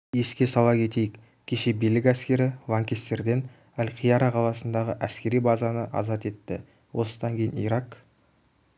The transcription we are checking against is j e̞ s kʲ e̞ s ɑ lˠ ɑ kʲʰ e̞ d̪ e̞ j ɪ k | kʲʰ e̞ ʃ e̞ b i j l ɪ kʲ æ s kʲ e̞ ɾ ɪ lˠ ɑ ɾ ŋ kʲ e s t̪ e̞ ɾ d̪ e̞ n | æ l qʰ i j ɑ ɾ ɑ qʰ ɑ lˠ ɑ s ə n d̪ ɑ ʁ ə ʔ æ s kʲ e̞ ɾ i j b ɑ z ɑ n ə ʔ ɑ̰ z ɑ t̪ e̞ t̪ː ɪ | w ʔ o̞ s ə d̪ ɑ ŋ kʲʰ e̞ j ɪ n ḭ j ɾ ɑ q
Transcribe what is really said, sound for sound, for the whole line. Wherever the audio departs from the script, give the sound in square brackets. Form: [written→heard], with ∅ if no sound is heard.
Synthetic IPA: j e̞ s kʲ e̞ s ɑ lˠ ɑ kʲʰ e̞ [d̪→t̪] e̞ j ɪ k | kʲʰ e̞ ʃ e̞ b i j l ɪ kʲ æ s kʲ e̞ ɾ ɪ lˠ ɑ [ɾ→∅] ŋ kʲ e s t̪ e̞ ɾ d̪ e̞ n | æ l qʰ i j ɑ ɾ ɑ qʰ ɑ lˠ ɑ s ə n d̪ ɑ ʁ ə ʔ æ s kʲ e̞ ɾ i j b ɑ z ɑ n ə ʔ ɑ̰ z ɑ t̪ e̞ t̪ː ɪ | w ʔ o̞ s ə d̪ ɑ ŋ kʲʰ e̞ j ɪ n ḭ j ɾ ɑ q